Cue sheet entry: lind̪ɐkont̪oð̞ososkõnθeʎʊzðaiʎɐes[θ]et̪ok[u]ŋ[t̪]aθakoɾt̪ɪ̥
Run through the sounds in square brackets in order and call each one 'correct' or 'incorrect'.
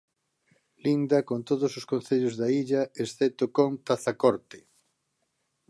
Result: correct, incorrect, correct

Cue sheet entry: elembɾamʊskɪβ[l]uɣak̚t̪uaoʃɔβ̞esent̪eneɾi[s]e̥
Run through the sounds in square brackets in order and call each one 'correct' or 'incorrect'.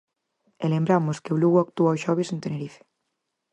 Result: correct, incorrect

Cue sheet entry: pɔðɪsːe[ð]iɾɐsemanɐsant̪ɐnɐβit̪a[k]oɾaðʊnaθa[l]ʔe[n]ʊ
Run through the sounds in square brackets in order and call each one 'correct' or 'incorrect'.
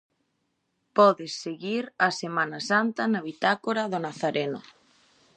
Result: incorrect, correct, incorrect, correct

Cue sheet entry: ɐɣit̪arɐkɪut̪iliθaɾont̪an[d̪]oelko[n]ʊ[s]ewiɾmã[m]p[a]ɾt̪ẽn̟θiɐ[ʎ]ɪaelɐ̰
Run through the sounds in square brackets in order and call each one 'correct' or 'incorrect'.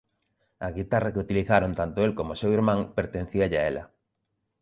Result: incorrect, incorrect, correct, incorrect, incorrect, correct

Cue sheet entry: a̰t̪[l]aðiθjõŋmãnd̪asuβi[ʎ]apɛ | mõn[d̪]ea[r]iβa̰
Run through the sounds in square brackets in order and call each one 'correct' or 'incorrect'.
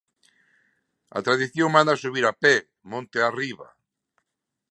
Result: incorrect, incorrect, incorrect, correct

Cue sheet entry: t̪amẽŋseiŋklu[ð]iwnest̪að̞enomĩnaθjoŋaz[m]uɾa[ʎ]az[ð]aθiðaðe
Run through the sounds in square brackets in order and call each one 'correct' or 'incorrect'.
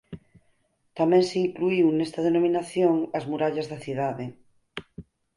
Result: incorrect, correct, correct, correct

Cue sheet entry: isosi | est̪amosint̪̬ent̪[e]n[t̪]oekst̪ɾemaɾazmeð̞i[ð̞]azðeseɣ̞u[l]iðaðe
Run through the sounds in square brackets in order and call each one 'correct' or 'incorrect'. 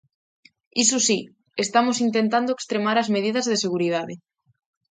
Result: incorrect, incorrect, correct, incorrect

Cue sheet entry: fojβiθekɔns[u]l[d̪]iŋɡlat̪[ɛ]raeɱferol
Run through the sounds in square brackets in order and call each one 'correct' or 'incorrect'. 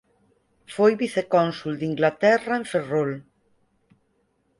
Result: correct, correct, correct

